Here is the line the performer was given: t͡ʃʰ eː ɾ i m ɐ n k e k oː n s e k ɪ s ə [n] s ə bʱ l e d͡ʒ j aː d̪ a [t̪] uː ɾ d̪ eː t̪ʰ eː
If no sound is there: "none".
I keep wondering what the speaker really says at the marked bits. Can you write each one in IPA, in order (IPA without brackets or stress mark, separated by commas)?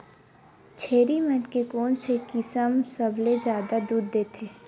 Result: m, d̪